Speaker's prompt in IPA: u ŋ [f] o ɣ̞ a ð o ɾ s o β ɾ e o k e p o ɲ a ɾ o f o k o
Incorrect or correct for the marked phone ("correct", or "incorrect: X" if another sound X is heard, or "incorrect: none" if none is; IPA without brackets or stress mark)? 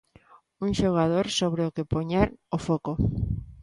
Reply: incorrect: ʃ